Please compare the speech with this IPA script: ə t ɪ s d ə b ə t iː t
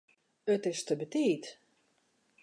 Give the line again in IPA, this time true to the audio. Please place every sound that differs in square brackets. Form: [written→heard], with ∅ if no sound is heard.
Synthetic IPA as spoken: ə t ɪ s [d→t] ə b ə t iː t